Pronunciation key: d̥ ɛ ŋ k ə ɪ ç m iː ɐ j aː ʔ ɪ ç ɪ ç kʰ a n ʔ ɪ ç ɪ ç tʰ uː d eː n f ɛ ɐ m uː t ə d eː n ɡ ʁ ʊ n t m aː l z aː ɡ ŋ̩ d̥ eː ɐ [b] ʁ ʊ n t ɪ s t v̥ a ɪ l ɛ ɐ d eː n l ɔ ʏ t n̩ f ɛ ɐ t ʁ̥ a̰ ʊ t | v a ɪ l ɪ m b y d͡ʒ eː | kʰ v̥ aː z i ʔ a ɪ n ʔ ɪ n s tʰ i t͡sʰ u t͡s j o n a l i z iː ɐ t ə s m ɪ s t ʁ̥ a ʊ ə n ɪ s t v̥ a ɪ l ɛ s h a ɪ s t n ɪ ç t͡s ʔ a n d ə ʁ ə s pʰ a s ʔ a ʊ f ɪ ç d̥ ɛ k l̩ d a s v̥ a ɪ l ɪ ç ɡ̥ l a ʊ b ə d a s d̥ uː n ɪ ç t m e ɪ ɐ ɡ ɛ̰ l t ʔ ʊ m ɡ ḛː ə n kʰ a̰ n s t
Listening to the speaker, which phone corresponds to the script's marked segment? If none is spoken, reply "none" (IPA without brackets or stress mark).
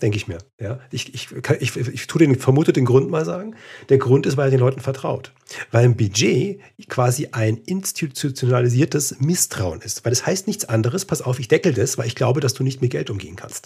ɡ